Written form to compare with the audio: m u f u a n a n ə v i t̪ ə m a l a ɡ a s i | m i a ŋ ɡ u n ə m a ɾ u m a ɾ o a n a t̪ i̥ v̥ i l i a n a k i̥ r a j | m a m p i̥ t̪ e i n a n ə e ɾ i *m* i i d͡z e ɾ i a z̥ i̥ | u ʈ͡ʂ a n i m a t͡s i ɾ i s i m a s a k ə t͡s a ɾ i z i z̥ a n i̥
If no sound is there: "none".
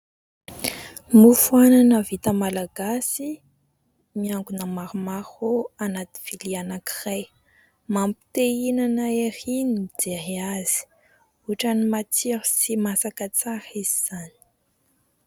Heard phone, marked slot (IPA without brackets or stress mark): n